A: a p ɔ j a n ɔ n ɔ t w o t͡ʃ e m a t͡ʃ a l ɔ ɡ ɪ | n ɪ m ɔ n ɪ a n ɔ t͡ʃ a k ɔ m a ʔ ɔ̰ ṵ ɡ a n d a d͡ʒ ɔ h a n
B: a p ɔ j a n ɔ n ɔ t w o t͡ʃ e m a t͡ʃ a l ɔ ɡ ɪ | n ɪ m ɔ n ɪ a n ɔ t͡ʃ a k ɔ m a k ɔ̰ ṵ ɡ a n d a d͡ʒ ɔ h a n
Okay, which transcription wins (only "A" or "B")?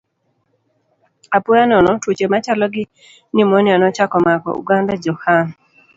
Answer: B